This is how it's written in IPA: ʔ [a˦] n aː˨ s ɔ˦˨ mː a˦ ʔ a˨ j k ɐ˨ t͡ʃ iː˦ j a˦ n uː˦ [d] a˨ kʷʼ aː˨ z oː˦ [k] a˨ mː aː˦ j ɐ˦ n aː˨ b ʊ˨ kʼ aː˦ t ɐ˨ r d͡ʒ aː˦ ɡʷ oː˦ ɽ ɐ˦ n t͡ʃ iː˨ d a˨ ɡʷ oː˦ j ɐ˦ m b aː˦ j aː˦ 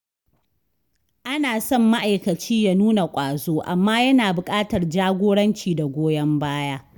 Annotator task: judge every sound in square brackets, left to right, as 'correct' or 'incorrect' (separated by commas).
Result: correct, incorrect, incorrect